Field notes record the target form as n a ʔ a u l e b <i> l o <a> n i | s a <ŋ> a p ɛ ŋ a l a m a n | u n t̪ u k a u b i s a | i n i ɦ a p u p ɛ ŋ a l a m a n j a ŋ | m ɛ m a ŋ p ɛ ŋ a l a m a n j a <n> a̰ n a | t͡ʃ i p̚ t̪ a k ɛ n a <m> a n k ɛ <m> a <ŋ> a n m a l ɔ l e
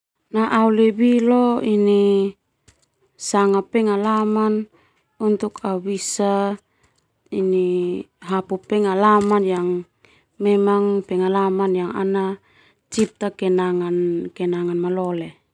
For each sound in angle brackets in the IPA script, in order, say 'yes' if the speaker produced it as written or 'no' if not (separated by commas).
yes, no, yes, no, no, no, yes